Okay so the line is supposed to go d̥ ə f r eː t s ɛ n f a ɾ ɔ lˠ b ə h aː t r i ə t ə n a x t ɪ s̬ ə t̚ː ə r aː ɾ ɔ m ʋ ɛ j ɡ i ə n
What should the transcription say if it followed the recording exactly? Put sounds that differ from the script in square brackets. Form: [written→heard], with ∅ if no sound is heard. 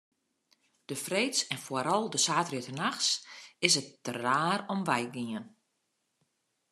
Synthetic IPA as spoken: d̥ ə f r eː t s ɛ n f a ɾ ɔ lˠ [b→d] ə [h→s] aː t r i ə t ə n a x [t→s] ɪ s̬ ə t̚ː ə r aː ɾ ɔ m ʋ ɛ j ɡ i ə n

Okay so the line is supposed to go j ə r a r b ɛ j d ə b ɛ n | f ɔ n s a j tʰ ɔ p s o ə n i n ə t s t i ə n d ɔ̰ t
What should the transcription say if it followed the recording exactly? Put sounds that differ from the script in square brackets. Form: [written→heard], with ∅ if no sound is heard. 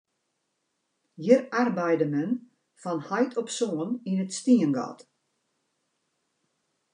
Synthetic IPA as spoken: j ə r a r b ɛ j d ə [b→m] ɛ n | f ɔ n [s→h] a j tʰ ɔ p s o ə n i n ə t s t i ə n [d→ɡ] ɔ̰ t

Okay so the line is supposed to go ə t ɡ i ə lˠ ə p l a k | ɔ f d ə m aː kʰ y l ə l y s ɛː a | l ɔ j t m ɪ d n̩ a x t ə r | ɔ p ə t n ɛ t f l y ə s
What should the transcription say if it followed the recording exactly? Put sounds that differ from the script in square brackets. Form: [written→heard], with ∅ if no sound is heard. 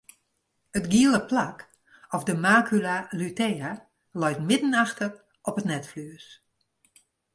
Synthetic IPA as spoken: ə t ɡ i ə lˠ ə p l a k | ɔ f d ə m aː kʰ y l [ə→a] l y [s→t] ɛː a | l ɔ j t m ɪ d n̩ a x t ə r | ɔ p ə t n ɛ t f l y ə s

